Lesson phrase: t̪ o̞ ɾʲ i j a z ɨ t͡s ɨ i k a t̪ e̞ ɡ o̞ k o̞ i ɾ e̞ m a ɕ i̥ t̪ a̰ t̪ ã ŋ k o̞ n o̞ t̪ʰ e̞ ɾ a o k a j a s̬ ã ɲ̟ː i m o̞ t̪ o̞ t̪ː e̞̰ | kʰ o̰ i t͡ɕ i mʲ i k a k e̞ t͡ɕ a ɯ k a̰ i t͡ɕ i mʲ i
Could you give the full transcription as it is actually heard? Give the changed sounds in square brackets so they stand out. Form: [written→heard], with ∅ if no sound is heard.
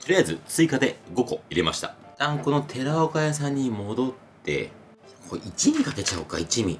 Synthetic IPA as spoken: t̪ o̞ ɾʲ i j a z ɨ t͡s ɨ i k a [t̪→d̪] e̞ ɡ o̞ k o̞ i ɾ e̞ m a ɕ i̥ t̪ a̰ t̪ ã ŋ k o̞ n o̞ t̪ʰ e̞ ɾ a o k a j a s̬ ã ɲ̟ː i m o̞ [t̪→d̪] o̞ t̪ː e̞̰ | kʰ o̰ i t͡ɕ i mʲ i k a k e̞ t͡ɕ a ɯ k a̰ i t͡ɕ i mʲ i